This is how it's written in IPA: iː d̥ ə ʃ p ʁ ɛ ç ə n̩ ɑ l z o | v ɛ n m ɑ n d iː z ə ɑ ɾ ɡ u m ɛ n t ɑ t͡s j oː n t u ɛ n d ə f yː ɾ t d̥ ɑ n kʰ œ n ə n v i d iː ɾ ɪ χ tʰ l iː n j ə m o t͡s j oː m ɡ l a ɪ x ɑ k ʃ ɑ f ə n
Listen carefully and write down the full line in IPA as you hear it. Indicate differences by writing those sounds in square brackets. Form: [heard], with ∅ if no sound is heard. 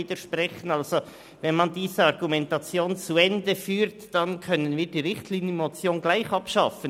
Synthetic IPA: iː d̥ ə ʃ p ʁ ɛ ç ə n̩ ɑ l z o | v ɛ n m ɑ n d iː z ə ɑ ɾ ɡ u m ɛ n t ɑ t͡s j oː n [t͡s] u ɛ n d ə f yː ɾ t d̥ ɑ n kʰ œ n ə n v [iː] d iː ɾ ɪ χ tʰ l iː n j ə m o t͡s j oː [n] ɡ l a ɪ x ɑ [p] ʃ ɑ f ə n

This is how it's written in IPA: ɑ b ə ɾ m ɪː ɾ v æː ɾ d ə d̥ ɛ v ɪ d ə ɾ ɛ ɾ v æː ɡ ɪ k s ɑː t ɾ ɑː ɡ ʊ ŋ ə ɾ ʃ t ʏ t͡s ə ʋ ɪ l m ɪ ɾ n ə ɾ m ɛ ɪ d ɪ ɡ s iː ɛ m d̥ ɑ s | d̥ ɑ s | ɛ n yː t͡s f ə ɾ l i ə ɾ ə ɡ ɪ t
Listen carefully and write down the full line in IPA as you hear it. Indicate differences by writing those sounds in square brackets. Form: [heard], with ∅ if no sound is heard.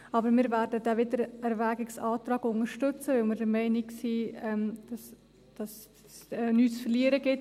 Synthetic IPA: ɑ b ə ɾ m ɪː ɾ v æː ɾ d ə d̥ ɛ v ɪ d ə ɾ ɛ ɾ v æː ɡ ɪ k s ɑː t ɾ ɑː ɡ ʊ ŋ ə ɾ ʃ t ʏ t͡s ə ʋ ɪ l m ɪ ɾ [d] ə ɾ m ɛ ɪ [n] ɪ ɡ s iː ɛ m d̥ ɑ s | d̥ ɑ s | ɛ n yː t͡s f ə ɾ l i ə ɾ ə ɡ ɪ t

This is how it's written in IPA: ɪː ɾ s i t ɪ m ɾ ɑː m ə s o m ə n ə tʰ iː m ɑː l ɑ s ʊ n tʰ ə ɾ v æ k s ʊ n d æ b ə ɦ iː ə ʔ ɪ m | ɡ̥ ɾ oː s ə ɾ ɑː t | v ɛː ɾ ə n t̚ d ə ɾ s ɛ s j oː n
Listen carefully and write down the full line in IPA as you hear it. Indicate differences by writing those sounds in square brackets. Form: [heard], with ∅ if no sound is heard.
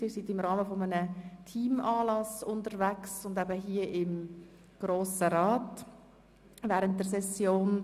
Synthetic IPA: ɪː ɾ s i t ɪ m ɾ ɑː m ə [f] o m ə n ə tʰ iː m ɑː l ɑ s ʊ n [t] ə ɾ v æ k s ʊ n d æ b ə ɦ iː ə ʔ ɪ m | ɡ̥ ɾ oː s ə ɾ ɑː t | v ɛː ɾ ə n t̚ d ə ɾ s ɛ s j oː n

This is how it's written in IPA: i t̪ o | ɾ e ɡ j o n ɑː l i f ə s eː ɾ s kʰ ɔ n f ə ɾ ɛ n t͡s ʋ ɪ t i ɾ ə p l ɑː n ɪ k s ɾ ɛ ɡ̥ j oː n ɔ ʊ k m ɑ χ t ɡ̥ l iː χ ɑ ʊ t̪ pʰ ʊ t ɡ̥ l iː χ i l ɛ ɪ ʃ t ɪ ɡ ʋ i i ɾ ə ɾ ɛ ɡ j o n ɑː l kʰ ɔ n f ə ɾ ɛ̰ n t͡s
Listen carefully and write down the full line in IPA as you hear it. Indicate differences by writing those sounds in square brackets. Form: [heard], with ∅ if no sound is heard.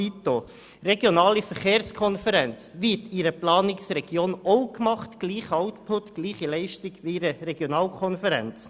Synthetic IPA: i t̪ o | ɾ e ɡ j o n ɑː l i f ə [χ] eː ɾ s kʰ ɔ n f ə ɾ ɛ n t͡s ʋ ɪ t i ɾ ə p l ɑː n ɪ k s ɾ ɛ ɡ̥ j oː n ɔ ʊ k m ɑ χ t ɡ̥ l iː χ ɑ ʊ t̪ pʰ ʊ t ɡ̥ l iː χ i l ɛ ɪ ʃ t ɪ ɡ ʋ i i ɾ ə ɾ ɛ ɡ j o n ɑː l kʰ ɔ n f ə ɾ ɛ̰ n t͡s

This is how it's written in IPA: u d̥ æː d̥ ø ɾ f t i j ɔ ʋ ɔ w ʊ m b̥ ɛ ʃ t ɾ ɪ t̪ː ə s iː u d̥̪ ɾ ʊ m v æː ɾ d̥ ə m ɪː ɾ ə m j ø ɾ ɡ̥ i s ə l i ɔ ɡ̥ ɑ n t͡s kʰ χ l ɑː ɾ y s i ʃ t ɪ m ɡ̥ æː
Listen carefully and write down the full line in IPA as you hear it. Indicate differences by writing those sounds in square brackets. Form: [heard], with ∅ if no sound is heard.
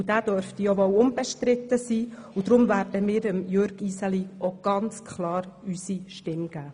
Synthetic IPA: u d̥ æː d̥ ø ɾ f t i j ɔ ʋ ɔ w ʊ m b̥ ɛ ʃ t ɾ ɪ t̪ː ə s iː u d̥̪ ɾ ʊ m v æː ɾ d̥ ə m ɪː ɾ ə m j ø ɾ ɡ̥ i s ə l i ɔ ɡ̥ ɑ n t͡s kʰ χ l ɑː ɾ y s i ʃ t ɪ m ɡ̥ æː

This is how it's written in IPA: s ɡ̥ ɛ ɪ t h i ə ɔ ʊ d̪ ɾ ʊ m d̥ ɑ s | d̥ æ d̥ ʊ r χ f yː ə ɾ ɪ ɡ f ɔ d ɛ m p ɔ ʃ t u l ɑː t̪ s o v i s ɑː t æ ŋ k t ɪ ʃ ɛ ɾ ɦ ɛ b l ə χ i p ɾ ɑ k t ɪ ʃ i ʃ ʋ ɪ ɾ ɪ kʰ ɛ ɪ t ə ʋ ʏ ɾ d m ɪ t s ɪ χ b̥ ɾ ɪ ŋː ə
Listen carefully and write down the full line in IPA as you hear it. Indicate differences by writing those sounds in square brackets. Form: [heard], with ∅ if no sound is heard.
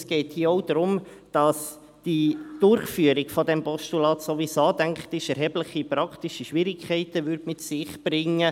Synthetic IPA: s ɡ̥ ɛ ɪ t h i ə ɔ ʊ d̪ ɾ ʊ m d̥ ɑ s | d̥ [i] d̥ ʊ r χ f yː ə ɾ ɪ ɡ f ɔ d ɛ m p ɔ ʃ t u l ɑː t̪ s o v i s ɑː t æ ŋ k t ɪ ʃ ɛ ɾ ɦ ɛ b l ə χ i p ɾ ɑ k t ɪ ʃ i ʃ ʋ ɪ ɾ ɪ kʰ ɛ ɪ t ə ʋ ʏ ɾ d m ɪ t s ɪ χ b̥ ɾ ɪ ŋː ə

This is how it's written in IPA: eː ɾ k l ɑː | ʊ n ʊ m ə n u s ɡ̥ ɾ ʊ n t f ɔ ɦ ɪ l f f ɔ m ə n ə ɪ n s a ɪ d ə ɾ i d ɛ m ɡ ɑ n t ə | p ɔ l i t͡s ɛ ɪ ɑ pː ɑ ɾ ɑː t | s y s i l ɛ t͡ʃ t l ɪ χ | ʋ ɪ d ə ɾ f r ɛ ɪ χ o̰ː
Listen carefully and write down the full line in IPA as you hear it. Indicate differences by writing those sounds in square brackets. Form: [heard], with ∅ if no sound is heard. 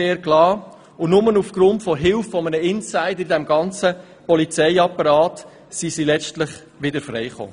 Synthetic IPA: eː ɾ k l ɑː | ʊ n ʊ m ə n u [f] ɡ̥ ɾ ʊ n t f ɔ ɦ ɪ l f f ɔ m ə n ə ɪ n s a ɪ d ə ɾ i d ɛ m ɡ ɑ n [t͡s] ə | p ɔ l i t͡s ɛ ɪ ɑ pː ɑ ɾ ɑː t | s [i] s i l ɛ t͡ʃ t l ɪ χ | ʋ ɪ d ə ɾ f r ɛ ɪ χ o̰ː

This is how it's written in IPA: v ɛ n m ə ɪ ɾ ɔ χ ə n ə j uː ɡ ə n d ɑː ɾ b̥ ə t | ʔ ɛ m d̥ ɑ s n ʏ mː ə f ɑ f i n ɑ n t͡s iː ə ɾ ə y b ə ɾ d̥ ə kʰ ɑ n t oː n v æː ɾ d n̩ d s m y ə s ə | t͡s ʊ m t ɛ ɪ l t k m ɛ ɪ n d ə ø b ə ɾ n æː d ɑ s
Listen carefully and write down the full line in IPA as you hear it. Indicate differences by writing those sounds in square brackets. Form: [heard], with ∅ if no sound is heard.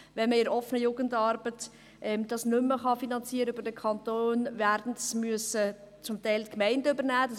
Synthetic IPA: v ɛ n m ə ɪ ɾ ɔ [f] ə n ə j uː ɡ ə n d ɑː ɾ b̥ ə t | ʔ ɛ m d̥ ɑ s n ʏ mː ə [χ] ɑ f i n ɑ n t͡s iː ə ɾ ə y b ə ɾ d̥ ə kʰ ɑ n t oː n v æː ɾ d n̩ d s m y ə s ə | t͡s ʊ m t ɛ ɪ l t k m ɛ ɪ n d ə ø b ə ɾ n æː d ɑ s

